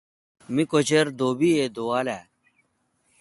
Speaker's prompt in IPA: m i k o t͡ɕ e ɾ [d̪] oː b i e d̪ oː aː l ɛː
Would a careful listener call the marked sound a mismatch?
no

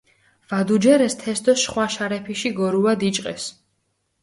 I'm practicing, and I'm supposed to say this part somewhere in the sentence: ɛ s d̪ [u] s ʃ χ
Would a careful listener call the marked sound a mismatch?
yes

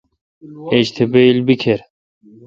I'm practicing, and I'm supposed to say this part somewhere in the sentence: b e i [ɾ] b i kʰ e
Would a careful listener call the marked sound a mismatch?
yes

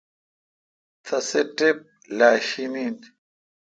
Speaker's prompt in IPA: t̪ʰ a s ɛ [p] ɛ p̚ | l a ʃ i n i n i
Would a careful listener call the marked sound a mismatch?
yes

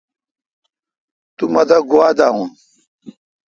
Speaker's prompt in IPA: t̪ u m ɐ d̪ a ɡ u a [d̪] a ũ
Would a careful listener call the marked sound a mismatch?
no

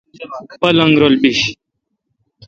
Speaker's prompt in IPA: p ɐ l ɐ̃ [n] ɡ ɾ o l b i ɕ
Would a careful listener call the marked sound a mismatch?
yes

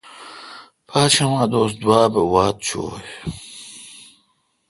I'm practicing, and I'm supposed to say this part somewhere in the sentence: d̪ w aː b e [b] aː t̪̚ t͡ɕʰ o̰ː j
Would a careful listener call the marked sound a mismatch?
yes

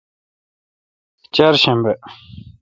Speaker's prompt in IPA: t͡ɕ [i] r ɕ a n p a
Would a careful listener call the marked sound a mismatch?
yes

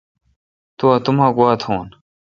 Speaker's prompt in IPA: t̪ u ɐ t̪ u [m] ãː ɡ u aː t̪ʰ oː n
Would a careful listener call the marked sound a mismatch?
no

